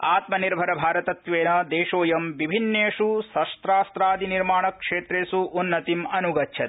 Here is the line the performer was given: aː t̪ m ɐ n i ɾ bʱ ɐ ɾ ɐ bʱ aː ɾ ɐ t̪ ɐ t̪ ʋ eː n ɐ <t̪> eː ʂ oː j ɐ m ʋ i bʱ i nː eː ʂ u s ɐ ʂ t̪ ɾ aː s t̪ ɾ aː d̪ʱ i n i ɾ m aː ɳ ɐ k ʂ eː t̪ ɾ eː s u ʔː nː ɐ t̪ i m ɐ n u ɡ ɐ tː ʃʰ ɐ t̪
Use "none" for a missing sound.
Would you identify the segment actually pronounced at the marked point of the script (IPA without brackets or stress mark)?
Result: d̪